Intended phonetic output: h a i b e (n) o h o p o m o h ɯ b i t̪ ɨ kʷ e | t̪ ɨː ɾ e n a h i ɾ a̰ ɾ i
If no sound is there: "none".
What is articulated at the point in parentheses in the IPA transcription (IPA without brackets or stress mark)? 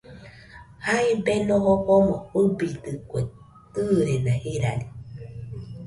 n